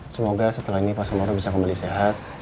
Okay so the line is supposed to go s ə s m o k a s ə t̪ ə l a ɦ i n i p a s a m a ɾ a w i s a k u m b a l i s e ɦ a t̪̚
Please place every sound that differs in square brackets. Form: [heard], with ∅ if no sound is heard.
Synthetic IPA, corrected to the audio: s ə [∅] m o [ɡ] a s ə t̪ ə l a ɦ i n i p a s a m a ɾ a [b] i s a k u m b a l i s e ɦ a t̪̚

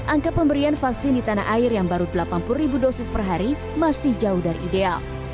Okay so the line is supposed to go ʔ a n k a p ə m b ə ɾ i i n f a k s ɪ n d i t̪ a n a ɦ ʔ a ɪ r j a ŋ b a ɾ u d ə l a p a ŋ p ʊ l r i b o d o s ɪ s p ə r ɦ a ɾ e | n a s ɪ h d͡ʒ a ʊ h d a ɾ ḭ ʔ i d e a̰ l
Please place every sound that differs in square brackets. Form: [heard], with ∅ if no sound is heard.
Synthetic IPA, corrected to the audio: ʔ a [ŋ] k a p ə m b ə ɾ i [a] n f a k s ɪ n d i t̪ a n a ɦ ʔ a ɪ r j a ŋ b a ɾ u d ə l a p a [n] p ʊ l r i b [u] d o s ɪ s p ə r ɦ a ɾ [i] | [m] a s ɪ h d͡ʒ a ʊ h d a ɾ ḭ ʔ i d e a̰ l

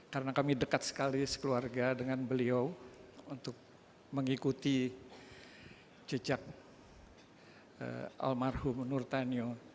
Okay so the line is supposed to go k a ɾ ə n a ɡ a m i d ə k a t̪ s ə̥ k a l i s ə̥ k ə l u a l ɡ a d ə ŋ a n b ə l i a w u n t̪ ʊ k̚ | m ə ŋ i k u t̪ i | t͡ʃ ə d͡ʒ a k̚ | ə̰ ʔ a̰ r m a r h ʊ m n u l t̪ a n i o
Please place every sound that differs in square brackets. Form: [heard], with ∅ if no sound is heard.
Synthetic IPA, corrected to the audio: k a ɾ ə n a [k] a m i d ə k a t̪ s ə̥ k a l i s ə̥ k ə l u a [r] ɡ a d ə ŋ a n b ə l i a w u n t̪ ʊ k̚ | m ə ŋ i k u t̪ i | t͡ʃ ə d͡ʒ a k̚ | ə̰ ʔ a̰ [l] m a r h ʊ m n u [r] t̪ a n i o

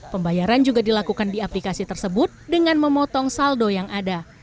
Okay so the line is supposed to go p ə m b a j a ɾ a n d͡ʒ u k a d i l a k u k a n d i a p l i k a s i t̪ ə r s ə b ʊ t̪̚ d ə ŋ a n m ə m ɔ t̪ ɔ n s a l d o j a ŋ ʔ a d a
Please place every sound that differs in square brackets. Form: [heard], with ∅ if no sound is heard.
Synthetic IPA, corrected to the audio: p ə m b a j a ɾ a n d͡ʒ u [ɡ] a d i l a k u k a n d i a p l i k a s i t̪ ə r s ə b ʊ t̪̚ d ə ŋ a n m ə m ɔ t̪ ɔ [ŋ] s a l d o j a ŋ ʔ a d a

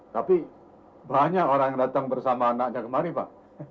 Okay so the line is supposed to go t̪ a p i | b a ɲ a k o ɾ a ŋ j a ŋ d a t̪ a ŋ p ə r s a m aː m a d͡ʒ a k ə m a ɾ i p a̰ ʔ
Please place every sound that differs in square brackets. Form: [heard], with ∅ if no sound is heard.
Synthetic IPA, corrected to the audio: t̪ a p i | b a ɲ a k o ɾ a ŋ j a ŋ d a t̪ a ŋ [b] ə r s a m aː [n] a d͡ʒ a k ə m a ɾ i p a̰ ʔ

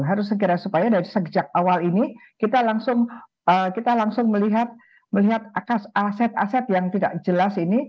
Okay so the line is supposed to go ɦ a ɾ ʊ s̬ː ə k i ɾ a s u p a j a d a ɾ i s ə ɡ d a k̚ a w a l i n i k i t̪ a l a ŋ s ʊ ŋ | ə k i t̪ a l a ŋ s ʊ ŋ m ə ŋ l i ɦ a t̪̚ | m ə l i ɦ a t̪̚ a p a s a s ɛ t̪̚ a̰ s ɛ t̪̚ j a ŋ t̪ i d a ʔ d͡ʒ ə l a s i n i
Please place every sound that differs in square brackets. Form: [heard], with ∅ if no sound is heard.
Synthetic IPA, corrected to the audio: ɦ a ɾ ʊ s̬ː ə k i ɾ a s u p a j a d a ɾ i s ə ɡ [d͡ʒ] a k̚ a w a l i n i k i t̪ a l a ŋ s ʊ ŋ | ə k i t̪ a l a ŋ s ʊ ŋ m ə [∅] l i ɦ a t̪̚ | m ə l i ɦ a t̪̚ a [k] a s a s ɛ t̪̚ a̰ s ɛ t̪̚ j a ŋ t̪ i d a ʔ d͡ʒ ə l a s i n i

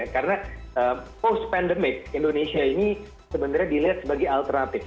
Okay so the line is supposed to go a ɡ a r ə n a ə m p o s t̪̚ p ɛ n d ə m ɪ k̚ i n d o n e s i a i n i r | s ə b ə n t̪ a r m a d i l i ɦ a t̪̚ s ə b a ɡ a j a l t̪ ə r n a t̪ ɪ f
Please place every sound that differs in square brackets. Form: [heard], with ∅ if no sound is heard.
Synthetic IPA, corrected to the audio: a [k] a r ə n a ə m p o s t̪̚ p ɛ n d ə m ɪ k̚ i n d o n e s i a i n i [∅] | s ə b ə n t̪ a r [ɲ] a d i l i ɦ a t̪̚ s ə b a ɡ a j a l t̪ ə r n a t̪ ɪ f

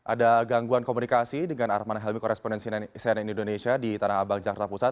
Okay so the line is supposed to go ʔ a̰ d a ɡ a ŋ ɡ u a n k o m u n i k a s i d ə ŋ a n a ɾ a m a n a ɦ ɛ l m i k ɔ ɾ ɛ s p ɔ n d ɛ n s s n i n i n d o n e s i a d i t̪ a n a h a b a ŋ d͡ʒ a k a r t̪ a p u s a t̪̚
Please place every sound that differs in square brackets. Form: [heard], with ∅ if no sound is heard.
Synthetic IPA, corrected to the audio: ʔ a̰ d a ɡ a ŋ ɡ u a n k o m u n i k a s i d ə ŋ a n a ɾ a m a n a ɦ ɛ l m i k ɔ ɾ ɛ s p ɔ n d ɛ n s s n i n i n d o n e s i a d i t̪ a n a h a b a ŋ d͡ʒ a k a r t̪ a p u s a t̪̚

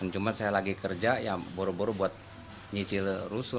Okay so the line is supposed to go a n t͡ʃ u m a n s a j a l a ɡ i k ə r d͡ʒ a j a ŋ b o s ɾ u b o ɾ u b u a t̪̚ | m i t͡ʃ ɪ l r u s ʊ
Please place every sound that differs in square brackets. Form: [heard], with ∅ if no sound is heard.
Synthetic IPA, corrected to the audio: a n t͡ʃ u m a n s a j a l a ɡ i k ə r d͡ʒ a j a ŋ b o [∅] ɾ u b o ɾ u b u a t̪̚ | [ɲ] i t͡ʃ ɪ l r u s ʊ

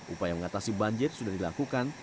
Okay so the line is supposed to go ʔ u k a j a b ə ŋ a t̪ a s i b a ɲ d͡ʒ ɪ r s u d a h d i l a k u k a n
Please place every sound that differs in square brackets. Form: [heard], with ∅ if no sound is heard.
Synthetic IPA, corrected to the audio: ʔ u [p] a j a [m] ə ŋ a t̪ a s i b a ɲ d͡ʒ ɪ r s u d a h d i l a k u k a n

